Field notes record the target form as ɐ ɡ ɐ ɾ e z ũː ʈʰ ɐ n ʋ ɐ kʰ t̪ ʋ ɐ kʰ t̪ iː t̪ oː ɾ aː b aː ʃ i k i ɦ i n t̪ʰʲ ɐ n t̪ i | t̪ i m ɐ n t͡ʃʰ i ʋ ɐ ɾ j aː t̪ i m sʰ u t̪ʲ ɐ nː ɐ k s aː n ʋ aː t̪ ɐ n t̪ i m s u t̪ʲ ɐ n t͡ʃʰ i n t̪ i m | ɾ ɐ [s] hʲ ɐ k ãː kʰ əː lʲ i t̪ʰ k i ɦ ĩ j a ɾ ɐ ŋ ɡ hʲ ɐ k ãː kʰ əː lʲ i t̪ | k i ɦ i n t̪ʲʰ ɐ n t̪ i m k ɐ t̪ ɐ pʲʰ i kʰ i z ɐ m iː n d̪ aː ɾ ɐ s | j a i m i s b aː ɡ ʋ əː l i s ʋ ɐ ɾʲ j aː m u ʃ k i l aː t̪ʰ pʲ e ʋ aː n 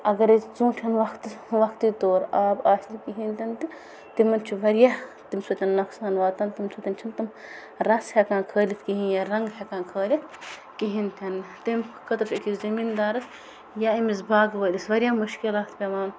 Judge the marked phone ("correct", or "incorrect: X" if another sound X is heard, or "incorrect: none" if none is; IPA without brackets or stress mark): correct